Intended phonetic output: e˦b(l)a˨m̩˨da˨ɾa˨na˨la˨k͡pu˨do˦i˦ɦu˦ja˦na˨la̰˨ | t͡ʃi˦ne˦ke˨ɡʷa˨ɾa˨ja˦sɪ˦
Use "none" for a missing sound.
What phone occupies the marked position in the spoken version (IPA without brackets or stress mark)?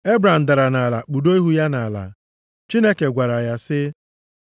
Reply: ɾ